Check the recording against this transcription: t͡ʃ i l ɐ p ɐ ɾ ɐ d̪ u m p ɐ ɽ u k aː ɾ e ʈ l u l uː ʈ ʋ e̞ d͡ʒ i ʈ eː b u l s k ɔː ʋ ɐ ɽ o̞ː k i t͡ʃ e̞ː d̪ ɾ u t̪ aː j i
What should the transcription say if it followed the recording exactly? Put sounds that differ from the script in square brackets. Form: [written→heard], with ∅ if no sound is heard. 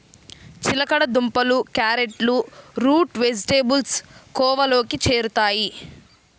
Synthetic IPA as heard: t͡ʃ i l ɐ [p→k] ɐ [ɾ→ɽ] ɐ d̪ u m p ɐ [ɽ→l] u k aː ɾ e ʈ l u [l→ɾ] uː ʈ ʋ e̞ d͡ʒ i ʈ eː b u l s k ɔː ʋ ɐ [ɽ→l] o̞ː k i t͡ʃ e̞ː [d̪→∅] ɾ u t̪ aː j i

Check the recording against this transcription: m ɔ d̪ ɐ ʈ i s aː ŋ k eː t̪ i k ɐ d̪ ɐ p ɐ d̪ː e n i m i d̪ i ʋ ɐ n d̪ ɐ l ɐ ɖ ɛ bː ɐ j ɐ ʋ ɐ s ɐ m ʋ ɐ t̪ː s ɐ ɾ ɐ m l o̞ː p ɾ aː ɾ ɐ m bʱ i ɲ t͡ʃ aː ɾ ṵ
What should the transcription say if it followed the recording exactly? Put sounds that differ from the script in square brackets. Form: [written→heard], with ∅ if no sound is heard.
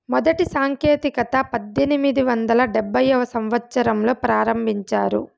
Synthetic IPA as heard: m ɔ d̪ ɐ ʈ i s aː ŋ k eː t̪ i k ɐ [d̪→t̪] ɐ p ɐ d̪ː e n i m i d̪ i ʋ ɐ n d̪ ɐ l ɐ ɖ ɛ bː ɐ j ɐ ʋ ɐ s ɐ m ʋ ɐ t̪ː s ɐ ɾ ɐ m l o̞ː p ɾ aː ɾ ɐ m bʱ i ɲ t͡ʃ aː ɾ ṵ

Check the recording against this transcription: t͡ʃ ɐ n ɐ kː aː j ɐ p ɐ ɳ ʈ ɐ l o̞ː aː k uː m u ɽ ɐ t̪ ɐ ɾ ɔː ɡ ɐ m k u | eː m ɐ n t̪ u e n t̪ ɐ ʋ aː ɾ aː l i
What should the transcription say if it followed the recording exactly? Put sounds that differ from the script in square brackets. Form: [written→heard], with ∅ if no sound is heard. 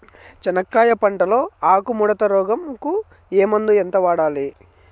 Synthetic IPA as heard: t͡ʃ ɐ n ɐ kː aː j ɐ p ɐ ɳ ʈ ɐ l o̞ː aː k [uː→u] m u ɽ ɐ t̪ ɐ ɾ ɔː ɡ ɐ m k u | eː m ɐ n [t̪→d̪] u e n t̪ ɐ ʋ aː [ɾ→ɽ] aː l i

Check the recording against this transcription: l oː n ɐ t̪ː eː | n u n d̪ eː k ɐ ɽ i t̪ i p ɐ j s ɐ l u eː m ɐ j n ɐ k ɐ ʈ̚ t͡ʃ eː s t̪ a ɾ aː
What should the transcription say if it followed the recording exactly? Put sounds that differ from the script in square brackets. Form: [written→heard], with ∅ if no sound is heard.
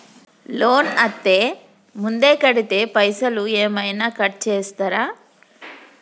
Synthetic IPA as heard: l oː n ɐ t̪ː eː | [n→m] u n d̪ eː k ɐ ɽ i t̪ [i→e] p ɐ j s ɐ l u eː m ɐ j n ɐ k ɐ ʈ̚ t͡ʃ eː s t̪ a ɾ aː

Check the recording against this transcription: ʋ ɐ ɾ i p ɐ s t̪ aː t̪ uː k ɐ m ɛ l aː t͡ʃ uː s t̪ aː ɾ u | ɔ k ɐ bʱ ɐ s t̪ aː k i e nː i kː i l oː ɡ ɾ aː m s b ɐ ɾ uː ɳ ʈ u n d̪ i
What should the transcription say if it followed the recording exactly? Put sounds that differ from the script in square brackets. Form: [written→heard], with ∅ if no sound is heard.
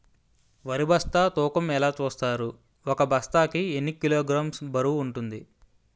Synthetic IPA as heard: ʋ ɐ ɾ i [p→b] ɐ s t̪ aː t̪ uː k ɐ m ɛ l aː t͡ʃ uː s t̪ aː ɾ u | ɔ k ɐ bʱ ɐ s t̪ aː k i e nː i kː i l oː ɡ ɾ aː m s b ɐ ɾ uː ɳ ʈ u n d̪ i

